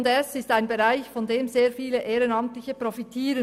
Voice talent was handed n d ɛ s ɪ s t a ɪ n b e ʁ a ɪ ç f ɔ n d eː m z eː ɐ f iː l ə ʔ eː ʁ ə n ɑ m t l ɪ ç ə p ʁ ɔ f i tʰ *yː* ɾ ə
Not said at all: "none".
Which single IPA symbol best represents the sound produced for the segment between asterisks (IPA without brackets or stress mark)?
iː